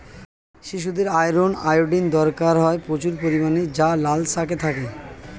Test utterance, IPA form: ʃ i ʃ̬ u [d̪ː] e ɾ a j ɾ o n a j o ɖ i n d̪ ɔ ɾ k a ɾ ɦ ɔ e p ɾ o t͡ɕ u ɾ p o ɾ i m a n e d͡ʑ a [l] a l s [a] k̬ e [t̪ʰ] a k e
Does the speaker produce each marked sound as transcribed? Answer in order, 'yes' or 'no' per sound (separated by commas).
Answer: no, yes, yes, yes